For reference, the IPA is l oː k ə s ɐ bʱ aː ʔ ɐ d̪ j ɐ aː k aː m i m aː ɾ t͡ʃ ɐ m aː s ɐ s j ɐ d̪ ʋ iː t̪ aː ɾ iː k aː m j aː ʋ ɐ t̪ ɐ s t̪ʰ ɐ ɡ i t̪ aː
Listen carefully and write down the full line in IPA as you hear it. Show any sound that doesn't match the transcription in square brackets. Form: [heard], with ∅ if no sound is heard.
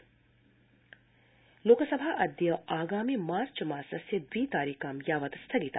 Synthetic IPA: l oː k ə s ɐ bʱ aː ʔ ɐ d̪ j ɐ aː [ɡ] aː m i m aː ɾ t͡ʃ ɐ m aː s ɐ s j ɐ d̪ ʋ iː t̪ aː ɾ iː k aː m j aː ʋ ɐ t̪ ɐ s t̪ʰ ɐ ɡ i t̪ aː